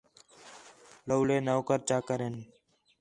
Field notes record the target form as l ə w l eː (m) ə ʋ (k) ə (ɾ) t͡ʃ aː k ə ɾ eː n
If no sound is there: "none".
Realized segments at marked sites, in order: n, k, ɾ

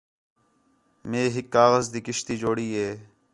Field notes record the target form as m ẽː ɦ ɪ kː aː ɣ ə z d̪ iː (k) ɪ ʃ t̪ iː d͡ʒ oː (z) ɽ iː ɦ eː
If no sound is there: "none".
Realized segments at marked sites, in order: k, none

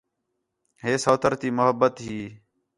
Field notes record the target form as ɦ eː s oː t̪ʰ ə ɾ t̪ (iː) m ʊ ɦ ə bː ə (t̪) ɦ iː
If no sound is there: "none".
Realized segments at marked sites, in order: iː, t̪

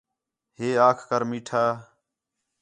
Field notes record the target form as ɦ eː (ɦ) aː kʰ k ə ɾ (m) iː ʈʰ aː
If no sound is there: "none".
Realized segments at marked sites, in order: none, m

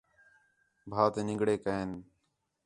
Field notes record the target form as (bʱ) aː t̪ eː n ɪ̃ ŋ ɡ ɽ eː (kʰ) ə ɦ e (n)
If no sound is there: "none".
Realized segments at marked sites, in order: bʱ, k, n

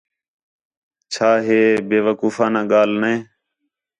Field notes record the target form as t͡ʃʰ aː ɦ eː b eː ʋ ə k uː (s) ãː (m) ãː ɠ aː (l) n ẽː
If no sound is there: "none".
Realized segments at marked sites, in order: f, n, l

